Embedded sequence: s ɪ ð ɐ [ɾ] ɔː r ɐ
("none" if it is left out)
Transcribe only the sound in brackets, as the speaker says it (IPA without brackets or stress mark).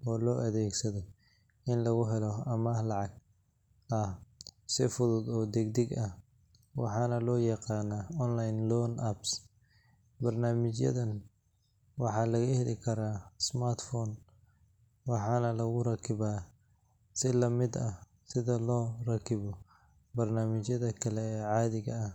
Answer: l